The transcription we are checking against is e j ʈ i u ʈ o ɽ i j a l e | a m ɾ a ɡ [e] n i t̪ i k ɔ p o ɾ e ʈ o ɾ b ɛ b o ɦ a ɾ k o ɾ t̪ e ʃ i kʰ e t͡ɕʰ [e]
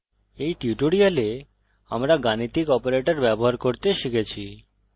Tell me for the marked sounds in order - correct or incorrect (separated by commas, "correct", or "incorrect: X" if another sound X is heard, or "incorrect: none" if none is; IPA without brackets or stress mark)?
incorrect: a, incorrect: i